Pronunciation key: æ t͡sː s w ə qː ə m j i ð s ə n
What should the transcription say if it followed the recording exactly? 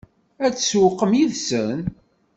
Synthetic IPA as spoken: æ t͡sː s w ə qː ə m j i ð s ə n